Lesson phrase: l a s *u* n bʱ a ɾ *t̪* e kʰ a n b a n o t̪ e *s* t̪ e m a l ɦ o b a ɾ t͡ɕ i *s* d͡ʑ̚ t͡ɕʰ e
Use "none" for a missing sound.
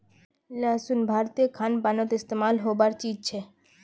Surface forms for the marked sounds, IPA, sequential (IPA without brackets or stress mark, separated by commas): u, t̪, s, none